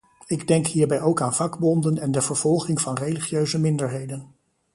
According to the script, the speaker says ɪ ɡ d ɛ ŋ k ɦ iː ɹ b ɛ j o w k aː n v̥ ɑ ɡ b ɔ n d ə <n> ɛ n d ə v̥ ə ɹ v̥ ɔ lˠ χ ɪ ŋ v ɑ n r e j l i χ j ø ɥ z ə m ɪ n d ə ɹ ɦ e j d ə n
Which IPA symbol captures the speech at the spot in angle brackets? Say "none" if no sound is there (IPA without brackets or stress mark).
n